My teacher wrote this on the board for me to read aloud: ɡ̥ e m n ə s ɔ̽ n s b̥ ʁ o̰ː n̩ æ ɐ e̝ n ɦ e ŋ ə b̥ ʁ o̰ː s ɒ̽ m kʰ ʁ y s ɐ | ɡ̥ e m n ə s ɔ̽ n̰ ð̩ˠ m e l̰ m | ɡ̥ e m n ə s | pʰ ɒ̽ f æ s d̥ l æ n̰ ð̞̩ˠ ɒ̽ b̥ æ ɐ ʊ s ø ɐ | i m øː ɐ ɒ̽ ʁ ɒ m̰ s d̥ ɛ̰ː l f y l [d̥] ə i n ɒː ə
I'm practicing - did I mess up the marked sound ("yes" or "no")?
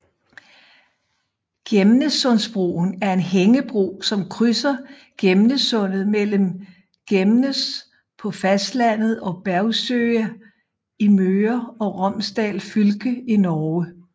yes